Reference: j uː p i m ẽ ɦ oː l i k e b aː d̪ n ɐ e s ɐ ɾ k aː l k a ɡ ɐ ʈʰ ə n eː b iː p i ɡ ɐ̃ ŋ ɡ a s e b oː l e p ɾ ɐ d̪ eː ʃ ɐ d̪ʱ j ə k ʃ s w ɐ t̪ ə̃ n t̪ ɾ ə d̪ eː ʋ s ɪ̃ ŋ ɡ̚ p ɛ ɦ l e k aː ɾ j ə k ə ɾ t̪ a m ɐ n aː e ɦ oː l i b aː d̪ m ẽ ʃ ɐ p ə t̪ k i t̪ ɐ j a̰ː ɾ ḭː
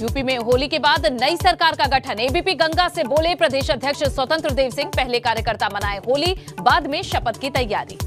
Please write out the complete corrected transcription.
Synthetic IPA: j uː p i m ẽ ɦ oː l i k e b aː d̪ n ɐ i s ɐ ɾ k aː ɾ k a ɡ ɐ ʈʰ ə n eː b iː p i ɡ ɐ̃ ŋ ɡ a s e b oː l e p ɾ ɐ d̪ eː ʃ ɐ d̪ʱ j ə k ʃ s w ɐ t̪ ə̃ n t̪ ɾ ə d̪ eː ʋ s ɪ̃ ŋ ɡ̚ p ɛ ɦ l e k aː ɾ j ə k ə ɾ t̪ a m ɐ n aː e ɦ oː l i b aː d̪ m ẽ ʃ ɐ p ə t̪ k i t̪ ɐ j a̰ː ɾ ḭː